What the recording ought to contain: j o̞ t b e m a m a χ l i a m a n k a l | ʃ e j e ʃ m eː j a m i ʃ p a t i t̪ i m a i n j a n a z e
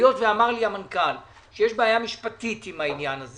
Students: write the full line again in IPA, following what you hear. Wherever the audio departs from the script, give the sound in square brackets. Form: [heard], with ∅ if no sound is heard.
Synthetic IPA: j o̞ t [v] e [∅] a m a [ʁ] l i a m a n k a l | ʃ e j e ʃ [b] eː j a m i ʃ p a t i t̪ i m a i n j a n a z e